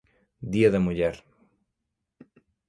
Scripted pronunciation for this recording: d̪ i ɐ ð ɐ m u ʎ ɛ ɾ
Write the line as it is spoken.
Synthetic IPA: d̪ i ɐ ð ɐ m u ʎ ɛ ɾ

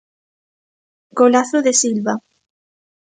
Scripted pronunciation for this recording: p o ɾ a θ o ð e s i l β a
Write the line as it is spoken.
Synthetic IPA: k o l a θ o ð e s i l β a

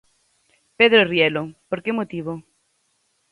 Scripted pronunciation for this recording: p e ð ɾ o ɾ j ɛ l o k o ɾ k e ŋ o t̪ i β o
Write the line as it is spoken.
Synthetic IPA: p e ð ɾ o r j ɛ l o p o ɾ k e m o t̪ i β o

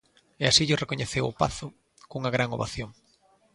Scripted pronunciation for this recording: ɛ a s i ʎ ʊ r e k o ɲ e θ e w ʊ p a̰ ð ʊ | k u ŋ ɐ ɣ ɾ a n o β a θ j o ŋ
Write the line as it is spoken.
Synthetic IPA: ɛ a s i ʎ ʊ r e k o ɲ e θ e w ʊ p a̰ θ ʊ | k u ŋ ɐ ɣ ɾ a ŋ o β a θ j o ŋ

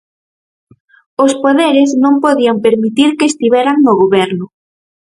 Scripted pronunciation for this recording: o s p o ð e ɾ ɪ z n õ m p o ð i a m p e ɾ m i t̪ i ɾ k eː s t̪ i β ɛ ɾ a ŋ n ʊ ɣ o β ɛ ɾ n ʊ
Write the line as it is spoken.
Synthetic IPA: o s p o ð e ɾ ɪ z n õ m p o ð i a m p e ɾ m i t̪ i ɾ k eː s t̪ i β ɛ ɾ a ŋ n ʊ ɣ o β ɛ ɾ n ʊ

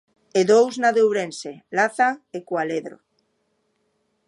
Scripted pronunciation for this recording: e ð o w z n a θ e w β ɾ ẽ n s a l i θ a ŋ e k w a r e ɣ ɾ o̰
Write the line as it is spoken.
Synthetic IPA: e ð o w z n a ð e w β ɾ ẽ n s e l a θ a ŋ e k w a l e ð ɾ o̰

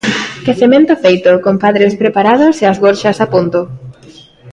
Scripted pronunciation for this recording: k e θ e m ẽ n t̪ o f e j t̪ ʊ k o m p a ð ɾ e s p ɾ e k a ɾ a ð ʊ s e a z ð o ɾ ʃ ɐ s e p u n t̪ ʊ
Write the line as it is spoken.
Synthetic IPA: k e θ e m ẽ n t̪ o f e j t̪ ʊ k o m p a ð ɾ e s p ɾ e p a ɾ a ð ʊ s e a z ɣ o ɾ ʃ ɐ s a p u n t̪ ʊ

